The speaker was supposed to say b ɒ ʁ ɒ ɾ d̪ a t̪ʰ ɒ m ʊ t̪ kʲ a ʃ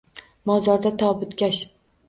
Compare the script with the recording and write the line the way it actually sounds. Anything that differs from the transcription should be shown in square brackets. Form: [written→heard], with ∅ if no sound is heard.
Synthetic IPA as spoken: [b→m] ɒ [ʁ→z] ɒ ɾ d̪ a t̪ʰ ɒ [m→b] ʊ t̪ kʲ a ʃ